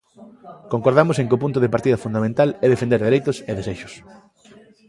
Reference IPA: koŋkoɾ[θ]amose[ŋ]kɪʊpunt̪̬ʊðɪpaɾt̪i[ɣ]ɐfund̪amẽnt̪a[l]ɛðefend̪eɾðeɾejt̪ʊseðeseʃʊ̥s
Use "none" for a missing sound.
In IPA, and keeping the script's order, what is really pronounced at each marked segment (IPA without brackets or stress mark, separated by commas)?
ð, ŋ, ð, l